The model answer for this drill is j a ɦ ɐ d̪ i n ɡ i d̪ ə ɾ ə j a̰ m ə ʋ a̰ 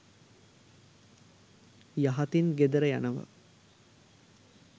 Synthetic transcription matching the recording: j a ɦ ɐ t̪ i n ɡ e d̪ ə ɾ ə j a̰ n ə ʋ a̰

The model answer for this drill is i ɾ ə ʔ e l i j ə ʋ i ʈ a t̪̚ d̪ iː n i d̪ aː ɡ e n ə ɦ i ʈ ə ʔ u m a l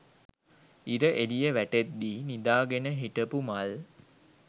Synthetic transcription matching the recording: i ɾ ə ʔ e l i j ə ʋ æ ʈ e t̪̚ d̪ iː n i d̪ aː ɡ e n ə ɦ i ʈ ə p u m a l

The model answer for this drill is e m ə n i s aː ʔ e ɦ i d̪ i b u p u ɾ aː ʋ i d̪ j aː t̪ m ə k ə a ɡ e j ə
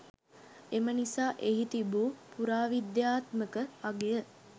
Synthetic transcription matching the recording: e m ə n i s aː ʔ e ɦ i t̪ i b u p u ɾ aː ʋ i d̪ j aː t̪ m ə k ə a ɡ e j ə

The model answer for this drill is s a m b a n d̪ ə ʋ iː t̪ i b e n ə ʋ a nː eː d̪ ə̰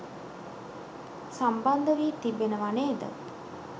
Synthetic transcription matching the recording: s a m b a n d̪ ə ʋ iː t̪ i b e n ə ʋ a n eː d̪ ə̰

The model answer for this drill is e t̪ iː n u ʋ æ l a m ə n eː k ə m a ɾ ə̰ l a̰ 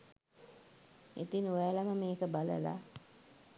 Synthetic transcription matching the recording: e t̪ i n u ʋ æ l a m ə m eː k ə b a l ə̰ l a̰

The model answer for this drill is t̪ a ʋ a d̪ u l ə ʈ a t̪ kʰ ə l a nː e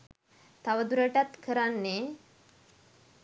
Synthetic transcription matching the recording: t̪ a ʋ ə d̪ u ɾ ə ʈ a t̪ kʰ ə ɾ a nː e

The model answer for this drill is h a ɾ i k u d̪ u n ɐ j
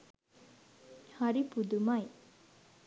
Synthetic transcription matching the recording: h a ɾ i p u d̪ u m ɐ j

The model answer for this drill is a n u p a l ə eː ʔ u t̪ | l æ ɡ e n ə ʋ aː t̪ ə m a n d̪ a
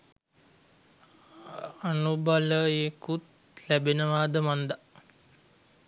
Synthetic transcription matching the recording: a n u b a l ə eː k u t̪ | l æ b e n ə ʋ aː d̪ ə m a n d̪ a

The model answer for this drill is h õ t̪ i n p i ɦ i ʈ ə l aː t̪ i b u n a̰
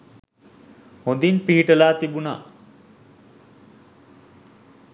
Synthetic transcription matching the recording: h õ d̪ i n p i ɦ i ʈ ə l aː t̪ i b u n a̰

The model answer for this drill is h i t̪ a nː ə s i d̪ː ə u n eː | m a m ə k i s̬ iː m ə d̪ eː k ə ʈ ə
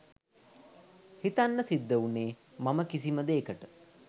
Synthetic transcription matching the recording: h i t̪ a nː ə s i d̪ː ə u n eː | m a m ə k i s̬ i m ə d̪ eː k ə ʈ ə

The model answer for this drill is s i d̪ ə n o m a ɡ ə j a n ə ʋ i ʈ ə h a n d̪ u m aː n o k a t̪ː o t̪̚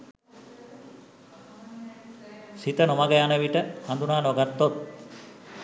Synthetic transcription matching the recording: s i t̪ ə n o m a ɡ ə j a n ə ʋ i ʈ ə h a n d̪ u n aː n o ɡ a t̪ː o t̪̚

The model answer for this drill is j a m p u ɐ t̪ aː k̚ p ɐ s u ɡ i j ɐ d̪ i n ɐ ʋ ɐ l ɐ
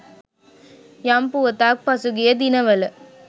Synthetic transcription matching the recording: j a m p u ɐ t̪ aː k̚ p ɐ s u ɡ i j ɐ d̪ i n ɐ ʋ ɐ l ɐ

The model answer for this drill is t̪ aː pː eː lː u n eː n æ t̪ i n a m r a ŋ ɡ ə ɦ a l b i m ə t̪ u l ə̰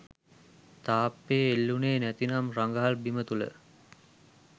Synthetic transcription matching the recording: t̪ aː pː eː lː u n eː n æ t̪ i n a m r a ŋ ɡ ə ɦ a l b i m ə t̪ u l ə̰

